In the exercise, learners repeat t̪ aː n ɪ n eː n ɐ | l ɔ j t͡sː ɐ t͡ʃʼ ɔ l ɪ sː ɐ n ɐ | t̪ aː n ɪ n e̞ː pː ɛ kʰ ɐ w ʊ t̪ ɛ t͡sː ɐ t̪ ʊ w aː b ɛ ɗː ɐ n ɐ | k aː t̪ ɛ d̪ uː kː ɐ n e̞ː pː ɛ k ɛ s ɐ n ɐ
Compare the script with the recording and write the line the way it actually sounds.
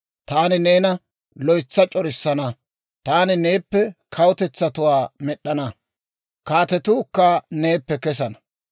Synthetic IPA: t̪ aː n ɪ n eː n ɐ | l ɔ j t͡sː ɐ t͡ʃʼ ɔ ɾ ɪ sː ɐ n ɐ | t̪ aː n ɪ n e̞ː pː ɛ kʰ ɐ w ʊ t̪ ɛ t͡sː ɐ t̪ ʊ w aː m ɛ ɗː ɐ n ɐ | k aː t̪ ɛ t̪ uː kː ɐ n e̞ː pː ɛ k ɛ s ɐ n ɐ